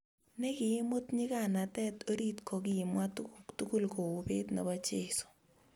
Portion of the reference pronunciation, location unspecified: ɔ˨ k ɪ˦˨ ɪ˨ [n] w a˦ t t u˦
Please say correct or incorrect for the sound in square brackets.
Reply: incorrect: m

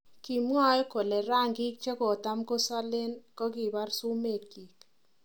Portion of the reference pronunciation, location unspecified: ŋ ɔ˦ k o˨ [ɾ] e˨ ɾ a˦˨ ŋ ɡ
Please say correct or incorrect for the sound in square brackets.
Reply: incorrect: l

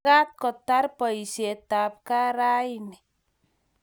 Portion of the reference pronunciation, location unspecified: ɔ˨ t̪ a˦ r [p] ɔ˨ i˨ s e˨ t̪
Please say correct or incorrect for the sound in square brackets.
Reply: correct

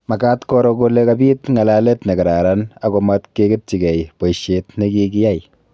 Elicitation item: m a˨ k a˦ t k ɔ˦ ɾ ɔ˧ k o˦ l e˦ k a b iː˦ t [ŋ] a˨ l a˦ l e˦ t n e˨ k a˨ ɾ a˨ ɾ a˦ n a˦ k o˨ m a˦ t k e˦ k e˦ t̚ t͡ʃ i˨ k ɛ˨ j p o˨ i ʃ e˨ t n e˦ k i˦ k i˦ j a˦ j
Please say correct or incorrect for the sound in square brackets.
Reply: correct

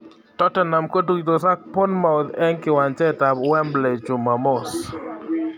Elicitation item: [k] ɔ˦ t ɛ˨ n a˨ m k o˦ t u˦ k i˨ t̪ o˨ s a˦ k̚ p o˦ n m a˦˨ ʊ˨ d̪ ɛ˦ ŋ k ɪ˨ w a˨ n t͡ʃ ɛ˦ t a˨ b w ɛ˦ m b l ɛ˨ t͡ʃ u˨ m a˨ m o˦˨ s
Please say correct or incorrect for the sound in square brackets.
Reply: incorrect: t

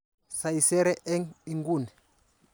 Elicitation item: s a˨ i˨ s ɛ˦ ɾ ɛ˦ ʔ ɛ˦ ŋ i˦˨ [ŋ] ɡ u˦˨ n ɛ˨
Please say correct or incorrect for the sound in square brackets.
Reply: correct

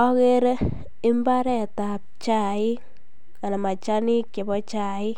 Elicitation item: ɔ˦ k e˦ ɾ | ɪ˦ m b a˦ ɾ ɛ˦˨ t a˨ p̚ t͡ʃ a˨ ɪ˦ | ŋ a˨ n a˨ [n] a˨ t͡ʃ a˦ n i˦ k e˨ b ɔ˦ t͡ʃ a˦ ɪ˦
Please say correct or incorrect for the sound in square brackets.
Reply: incorrect: m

